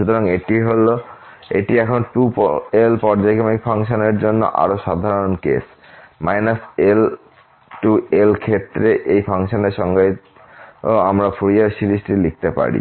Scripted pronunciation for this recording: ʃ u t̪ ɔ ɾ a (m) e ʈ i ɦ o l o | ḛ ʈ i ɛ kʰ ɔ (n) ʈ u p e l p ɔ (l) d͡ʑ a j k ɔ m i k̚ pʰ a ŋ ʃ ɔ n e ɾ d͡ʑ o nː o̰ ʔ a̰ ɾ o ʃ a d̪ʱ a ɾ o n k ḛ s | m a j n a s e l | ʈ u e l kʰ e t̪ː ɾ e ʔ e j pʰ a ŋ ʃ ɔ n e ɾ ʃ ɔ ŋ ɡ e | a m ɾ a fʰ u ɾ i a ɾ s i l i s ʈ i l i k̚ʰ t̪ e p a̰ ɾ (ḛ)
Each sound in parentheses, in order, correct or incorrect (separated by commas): incorrect, correct, incorrect, incorrect